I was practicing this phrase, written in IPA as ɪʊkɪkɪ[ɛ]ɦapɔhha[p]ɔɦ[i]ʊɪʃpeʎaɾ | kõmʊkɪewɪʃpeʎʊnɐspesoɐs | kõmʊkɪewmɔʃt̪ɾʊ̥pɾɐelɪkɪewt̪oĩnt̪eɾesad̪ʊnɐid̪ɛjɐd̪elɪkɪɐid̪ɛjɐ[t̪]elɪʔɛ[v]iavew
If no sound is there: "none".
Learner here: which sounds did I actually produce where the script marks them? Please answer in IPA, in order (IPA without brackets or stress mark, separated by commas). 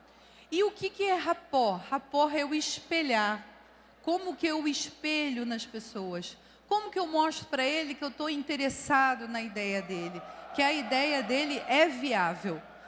ɛ, p, ɛ, d̪, v